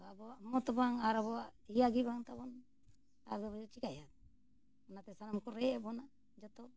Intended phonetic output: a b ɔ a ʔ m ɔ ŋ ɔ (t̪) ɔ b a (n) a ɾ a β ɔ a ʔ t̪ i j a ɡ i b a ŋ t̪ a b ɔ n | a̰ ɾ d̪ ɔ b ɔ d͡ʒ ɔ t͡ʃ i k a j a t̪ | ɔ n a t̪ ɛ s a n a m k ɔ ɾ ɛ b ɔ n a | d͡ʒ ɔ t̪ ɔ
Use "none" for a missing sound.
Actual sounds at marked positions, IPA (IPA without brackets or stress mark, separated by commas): t̪, ŋ